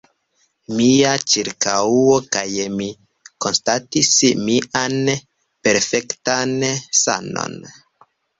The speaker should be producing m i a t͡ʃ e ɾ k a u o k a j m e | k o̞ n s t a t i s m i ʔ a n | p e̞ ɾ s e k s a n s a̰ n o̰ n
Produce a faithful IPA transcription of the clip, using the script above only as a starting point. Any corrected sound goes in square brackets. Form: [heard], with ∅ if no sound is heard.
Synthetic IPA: m i a t͡ʃ [i] ɾ k a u o k a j m [i] | k o̞ n s t a t i s m i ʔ a n | p e̞ ɾ [f] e k [t] a n s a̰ n o̰ n